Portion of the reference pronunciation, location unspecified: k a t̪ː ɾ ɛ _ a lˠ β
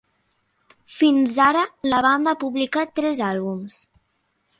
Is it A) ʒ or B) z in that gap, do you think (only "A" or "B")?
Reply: B